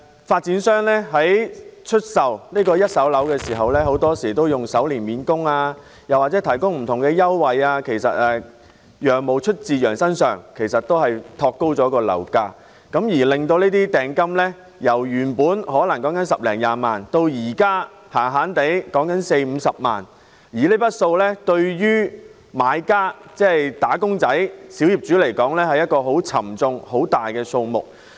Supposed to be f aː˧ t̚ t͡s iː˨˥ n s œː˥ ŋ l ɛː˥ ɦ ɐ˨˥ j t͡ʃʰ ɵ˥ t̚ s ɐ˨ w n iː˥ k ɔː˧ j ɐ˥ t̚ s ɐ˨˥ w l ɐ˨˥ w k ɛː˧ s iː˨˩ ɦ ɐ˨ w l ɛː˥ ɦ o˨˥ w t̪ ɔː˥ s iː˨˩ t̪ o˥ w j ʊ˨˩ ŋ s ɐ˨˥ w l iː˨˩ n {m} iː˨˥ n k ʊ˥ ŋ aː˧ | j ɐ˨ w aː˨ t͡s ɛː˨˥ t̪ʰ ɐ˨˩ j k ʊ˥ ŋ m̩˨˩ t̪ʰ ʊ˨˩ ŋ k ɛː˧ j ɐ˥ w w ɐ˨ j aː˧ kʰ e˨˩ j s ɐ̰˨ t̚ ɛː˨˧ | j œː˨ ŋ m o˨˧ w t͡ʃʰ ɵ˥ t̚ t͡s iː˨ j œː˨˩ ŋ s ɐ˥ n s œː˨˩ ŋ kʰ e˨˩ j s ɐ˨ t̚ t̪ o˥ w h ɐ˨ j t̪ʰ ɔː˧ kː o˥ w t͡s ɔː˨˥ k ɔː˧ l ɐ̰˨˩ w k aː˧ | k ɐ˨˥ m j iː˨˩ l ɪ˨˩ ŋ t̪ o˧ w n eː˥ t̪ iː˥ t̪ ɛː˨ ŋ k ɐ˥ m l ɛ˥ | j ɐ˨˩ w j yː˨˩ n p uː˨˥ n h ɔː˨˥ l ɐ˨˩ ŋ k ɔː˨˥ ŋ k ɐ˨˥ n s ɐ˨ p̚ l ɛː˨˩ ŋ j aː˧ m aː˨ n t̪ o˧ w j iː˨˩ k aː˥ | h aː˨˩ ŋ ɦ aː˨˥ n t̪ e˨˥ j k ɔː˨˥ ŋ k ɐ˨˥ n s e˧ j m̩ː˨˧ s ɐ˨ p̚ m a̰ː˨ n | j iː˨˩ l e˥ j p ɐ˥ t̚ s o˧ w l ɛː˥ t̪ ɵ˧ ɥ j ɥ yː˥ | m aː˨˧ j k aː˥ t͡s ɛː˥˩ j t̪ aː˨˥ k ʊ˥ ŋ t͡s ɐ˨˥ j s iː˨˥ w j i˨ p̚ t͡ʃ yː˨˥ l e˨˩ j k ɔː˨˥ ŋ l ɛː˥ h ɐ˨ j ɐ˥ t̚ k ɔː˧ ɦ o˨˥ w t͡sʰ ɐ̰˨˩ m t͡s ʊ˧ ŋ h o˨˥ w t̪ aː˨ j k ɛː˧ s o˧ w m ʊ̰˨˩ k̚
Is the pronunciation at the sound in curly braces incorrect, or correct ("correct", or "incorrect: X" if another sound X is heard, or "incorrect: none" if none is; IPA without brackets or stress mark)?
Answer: correct